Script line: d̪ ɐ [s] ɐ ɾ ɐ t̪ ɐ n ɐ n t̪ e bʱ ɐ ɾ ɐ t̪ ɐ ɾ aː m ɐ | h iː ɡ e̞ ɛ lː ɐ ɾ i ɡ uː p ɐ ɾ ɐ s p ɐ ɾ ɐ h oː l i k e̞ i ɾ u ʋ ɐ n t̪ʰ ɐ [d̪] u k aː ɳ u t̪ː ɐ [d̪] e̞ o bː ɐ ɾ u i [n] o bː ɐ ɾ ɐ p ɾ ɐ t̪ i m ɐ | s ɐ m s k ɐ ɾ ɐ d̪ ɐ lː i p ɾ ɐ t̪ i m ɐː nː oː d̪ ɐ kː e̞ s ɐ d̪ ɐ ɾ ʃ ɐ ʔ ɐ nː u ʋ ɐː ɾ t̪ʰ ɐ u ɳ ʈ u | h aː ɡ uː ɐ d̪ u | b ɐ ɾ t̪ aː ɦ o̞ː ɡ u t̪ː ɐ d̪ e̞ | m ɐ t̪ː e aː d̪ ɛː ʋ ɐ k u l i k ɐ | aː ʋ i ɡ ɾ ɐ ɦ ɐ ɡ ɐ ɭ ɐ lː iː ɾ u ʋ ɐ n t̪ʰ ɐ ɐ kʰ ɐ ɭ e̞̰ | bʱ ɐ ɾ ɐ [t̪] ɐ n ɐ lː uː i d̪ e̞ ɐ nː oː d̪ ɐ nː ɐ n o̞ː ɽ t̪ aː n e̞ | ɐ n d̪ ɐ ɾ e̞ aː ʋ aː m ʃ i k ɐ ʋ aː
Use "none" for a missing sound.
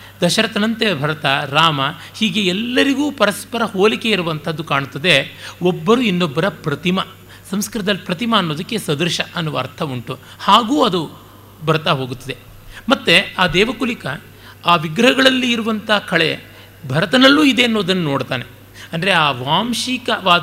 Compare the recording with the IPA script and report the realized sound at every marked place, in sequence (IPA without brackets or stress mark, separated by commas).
ʃ, d̪ː, d̪, nː, t̪